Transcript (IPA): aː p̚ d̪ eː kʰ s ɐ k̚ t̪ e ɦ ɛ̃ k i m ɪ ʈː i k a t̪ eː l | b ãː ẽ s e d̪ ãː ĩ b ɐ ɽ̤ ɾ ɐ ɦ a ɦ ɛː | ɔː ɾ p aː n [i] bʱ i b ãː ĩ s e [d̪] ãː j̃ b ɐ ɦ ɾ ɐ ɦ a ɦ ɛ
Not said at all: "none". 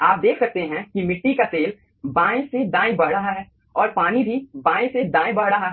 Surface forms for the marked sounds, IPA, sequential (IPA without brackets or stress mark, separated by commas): i, d̪